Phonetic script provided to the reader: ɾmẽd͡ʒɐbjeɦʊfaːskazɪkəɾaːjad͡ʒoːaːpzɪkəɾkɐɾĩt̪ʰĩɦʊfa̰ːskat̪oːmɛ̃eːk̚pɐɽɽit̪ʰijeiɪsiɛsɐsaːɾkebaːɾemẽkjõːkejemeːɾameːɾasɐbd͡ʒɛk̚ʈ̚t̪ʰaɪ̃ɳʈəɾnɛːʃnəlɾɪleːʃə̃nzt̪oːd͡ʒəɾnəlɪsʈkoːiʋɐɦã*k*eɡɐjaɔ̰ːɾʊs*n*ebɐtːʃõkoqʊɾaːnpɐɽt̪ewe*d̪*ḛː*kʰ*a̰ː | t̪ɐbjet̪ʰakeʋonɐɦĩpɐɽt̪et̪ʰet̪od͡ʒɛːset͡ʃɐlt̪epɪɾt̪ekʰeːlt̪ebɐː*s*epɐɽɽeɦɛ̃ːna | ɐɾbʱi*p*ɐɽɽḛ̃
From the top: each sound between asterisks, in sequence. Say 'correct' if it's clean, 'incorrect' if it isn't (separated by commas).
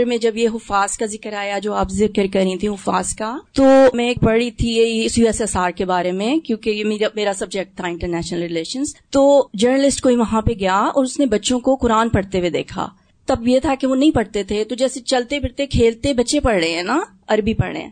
incorrect, correct, correct, correct, incorrect, correct